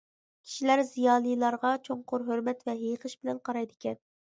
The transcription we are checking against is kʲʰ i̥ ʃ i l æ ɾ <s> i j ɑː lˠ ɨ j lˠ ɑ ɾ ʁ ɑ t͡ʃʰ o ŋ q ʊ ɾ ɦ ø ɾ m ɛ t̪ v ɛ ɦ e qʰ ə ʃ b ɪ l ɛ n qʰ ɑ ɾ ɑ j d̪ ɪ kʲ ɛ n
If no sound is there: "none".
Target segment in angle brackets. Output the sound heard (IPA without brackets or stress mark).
z